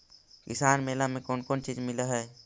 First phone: k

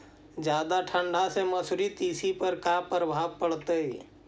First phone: d͡ʒ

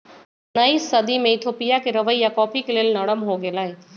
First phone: n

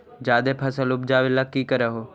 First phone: d͡ʒ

